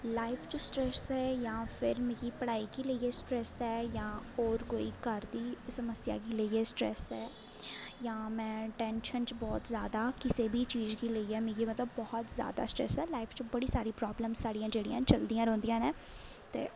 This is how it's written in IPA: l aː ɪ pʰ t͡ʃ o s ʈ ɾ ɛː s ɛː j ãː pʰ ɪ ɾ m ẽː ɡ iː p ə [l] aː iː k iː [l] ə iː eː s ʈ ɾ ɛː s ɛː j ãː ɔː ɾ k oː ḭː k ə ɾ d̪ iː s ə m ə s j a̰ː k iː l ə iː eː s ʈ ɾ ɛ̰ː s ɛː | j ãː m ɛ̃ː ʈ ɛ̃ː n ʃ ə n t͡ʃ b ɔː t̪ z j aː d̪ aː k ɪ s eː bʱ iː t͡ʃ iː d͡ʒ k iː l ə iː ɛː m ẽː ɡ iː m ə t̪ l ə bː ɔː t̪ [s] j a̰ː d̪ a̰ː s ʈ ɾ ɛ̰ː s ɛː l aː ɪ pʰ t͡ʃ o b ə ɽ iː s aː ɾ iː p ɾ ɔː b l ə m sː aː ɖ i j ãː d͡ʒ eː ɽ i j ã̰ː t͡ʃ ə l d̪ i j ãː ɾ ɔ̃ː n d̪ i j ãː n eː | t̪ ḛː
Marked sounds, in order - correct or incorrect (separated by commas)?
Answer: incorrect, correct, incorrect